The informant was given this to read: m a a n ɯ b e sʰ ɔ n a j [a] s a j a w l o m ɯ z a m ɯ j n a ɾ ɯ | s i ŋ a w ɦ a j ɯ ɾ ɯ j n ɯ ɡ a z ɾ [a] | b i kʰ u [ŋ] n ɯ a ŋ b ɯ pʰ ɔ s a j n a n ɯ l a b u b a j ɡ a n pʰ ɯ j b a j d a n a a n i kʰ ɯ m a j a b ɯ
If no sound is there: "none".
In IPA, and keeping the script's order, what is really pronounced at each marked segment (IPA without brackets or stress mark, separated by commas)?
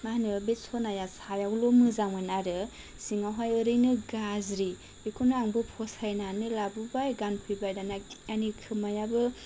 a, i, none